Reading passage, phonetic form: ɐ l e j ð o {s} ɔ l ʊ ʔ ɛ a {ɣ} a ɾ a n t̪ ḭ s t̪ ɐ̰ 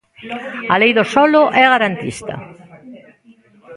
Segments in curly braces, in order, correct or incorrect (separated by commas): correct, correct